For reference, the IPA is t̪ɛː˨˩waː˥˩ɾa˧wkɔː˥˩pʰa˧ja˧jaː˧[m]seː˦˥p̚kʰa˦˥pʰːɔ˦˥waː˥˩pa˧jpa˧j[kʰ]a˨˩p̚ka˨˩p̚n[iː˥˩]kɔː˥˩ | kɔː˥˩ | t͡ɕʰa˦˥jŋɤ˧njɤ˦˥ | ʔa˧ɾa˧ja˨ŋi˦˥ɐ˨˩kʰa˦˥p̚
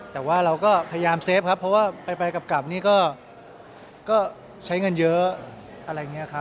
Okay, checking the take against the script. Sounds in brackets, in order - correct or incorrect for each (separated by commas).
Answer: correct, incorrect, correct